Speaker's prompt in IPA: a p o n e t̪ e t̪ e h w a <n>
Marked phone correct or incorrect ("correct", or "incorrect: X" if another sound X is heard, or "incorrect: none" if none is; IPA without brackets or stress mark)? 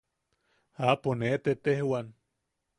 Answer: correct